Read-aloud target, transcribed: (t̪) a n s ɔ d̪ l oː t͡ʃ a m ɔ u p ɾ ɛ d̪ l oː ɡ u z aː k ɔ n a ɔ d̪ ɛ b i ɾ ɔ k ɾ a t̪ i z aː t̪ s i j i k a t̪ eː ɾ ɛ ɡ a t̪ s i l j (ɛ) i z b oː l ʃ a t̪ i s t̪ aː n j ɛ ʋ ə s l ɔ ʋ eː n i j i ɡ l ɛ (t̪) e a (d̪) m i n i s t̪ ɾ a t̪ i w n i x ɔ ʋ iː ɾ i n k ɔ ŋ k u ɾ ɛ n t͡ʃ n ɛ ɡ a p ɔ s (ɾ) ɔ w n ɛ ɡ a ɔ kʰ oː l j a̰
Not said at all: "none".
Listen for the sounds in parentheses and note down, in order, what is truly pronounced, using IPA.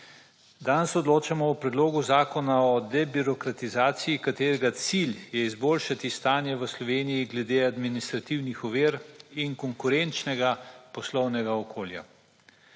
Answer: d̪, ɛ, d̪, d̪, l

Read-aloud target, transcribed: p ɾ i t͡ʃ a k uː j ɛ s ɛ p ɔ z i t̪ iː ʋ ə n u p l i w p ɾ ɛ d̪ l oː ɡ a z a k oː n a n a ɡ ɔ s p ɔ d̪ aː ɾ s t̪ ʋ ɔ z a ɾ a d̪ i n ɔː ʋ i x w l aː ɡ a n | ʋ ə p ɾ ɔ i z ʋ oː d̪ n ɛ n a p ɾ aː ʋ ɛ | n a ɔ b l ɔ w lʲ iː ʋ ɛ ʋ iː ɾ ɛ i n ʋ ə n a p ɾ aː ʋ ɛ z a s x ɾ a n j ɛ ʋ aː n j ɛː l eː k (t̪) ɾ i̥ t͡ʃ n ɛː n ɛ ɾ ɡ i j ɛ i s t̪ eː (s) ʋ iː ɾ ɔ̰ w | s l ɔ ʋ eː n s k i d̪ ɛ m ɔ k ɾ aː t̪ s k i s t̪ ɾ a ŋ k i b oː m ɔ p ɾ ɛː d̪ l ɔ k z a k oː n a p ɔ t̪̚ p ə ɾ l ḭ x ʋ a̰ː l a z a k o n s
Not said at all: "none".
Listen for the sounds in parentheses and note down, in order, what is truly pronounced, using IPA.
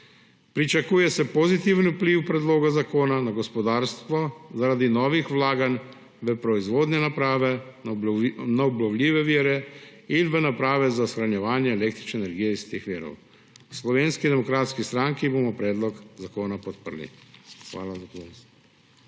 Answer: t̪, x

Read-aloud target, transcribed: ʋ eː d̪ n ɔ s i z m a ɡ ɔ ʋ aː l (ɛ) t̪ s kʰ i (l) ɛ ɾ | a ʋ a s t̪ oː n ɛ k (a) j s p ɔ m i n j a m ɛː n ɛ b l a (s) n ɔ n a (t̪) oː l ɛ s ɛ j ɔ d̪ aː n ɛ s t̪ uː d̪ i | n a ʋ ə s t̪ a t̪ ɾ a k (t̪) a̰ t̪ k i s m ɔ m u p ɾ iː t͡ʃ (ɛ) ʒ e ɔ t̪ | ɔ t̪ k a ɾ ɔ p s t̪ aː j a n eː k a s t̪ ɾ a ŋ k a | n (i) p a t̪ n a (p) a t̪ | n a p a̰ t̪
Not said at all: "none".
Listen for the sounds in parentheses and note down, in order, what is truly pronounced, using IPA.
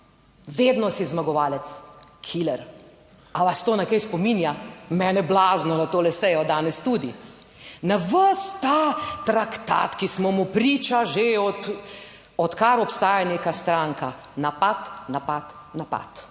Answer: ɛ, l, ɛ, z, t̪, t̪, a, a, p

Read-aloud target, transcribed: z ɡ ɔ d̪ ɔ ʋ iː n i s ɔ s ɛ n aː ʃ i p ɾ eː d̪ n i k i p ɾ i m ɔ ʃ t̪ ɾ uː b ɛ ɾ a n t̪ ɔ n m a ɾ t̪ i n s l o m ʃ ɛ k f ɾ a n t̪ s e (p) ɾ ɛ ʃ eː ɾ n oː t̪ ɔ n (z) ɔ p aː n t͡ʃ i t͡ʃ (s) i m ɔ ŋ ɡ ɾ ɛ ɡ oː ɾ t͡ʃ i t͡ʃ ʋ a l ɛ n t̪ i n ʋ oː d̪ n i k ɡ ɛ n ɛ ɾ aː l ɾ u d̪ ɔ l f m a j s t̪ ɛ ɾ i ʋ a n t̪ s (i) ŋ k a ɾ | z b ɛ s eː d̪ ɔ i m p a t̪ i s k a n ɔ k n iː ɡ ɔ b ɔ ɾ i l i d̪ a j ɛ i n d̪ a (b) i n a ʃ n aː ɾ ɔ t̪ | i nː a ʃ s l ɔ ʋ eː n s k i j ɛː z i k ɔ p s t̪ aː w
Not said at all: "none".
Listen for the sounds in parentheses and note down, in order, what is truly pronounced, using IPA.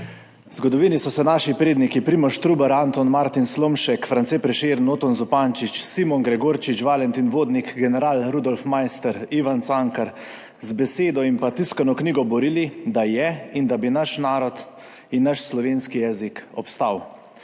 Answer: p, z, s, a, b

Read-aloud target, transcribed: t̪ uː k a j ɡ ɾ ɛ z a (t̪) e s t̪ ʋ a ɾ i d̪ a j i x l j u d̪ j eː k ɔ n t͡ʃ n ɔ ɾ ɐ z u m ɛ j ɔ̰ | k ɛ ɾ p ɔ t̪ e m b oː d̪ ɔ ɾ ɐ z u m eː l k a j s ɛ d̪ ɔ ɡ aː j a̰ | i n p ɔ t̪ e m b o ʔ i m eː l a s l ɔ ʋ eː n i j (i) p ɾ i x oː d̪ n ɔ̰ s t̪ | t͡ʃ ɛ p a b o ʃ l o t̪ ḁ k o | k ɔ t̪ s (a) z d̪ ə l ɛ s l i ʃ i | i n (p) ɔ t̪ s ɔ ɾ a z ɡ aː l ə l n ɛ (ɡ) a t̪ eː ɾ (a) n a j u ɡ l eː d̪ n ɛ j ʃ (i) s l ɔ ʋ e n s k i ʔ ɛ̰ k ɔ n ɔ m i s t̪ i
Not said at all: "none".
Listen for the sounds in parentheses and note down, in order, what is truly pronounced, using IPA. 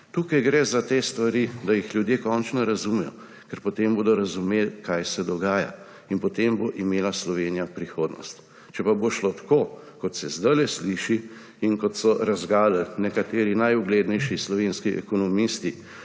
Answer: t̪, a, ɛ, k, k, i, i

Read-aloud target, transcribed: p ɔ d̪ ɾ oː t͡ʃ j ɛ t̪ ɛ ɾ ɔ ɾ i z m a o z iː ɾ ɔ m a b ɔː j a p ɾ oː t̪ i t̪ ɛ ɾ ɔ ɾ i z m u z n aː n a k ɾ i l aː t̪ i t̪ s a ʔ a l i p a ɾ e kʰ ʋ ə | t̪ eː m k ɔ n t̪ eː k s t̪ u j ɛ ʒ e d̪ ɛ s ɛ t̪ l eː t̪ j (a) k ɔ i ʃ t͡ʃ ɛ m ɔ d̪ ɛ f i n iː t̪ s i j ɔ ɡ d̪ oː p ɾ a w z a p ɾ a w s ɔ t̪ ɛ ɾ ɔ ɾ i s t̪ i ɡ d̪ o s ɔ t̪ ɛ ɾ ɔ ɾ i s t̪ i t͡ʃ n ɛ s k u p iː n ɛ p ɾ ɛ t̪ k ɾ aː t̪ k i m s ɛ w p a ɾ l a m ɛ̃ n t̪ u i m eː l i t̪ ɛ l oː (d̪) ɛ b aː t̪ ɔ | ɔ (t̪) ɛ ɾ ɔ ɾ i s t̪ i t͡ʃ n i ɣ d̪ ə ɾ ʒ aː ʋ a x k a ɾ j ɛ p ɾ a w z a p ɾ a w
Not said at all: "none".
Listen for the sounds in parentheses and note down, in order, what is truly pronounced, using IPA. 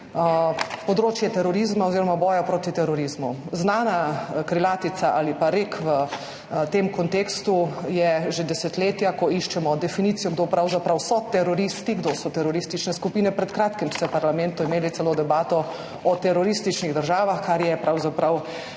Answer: a, d̪, t̪

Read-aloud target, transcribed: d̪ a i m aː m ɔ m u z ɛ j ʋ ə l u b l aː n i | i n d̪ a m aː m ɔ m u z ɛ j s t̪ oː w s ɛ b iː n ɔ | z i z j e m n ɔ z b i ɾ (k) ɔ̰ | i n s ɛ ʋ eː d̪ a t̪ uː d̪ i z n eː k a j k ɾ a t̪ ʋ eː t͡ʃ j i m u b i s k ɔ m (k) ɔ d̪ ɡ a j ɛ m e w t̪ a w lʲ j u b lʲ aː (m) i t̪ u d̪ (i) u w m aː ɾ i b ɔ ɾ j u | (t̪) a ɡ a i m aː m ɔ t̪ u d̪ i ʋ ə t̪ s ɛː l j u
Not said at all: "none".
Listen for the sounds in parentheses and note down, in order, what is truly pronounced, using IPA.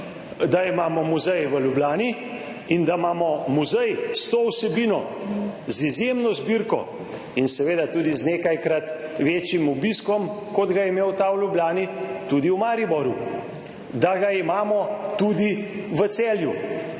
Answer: k, k, n, i, d̪

